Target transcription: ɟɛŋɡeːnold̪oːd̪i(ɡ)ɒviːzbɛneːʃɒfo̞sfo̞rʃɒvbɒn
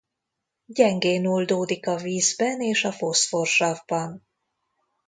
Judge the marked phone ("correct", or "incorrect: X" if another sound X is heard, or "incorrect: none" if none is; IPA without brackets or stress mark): incorrect: k